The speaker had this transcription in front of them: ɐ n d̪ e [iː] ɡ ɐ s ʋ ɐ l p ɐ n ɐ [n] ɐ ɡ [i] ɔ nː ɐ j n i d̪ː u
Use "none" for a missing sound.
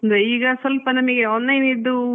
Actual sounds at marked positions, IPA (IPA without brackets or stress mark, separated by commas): iː, m, e